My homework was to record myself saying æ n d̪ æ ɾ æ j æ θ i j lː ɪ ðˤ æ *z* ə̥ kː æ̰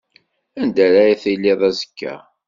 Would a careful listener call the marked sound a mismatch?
no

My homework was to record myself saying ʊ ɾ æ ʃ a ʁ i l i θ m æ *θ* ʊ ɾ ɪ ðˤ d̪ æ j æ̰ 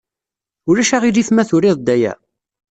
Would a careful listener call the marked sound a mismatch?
no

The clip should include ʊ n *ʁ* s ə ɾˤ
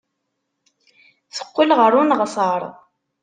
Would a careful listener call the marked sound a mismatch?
no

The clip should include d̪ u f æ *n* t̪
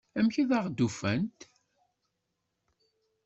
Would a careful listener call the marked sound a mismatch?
no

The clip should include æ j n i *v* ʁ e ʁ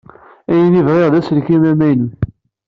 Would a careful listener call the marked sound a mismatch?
no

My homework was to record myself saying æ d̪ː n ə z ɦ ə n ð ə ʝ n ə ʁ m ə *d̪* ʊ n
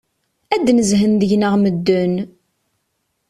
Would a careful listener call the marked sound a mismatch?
yes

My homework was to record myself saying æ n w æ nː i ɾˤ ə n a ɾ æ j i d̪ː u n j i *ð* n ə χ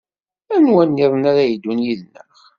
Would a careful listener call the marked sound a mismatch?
no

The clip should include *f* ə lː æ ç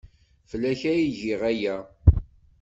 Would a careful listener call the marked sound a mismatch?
no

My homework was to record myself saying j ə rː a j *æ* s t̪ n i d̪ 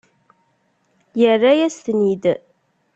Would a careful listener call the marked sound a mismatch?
no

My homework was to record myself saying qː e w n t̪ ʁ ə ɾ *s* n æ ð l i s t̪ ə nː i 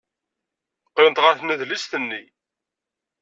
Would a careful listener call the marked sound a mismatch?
yes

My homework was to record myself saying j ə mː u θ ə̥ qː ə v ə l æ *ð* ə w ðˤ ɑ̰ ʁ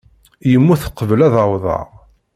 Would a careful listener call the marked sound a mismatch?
no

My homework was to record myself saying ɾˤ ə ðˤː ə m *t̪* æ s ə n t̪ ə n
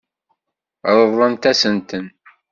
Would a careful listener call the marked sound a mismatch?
no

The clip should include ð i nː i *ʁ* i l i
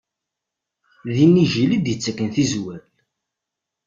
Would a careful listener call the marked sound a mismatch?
yes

